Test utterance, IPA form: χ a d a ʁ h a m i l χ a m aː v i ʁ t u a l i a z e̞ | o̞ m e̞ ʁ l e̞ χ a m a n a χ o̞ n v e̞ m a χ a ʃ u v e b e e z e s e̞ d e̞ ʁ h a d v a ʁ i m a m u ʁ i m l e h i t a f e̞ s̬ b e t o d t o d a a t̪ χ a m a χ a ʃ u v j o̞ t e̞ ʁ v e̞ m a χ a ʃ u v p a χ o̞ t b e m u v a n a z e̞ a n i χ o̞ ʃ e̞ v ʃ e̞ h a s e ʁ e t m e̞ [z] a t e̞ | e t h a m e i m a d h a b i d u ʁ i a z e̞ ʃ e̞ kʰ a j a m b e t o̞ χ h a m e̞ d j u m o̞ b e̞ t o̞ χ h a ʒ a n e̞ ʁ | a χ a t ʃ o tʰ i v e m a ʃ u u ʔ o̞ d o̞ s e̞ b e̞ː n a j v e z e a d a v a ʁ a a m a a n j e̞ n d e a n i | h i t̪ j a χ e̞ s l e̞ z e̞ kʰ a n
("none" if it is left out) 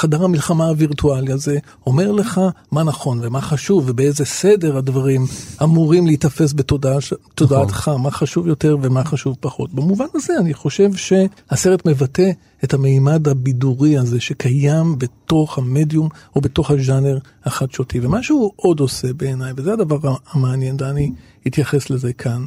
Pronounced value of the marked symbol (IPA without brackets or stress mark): v